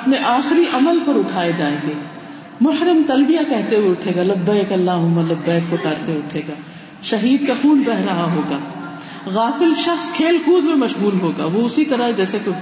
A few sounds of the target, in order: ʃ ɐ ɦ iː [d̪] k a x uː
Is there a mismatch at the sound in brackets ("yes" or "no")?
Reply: no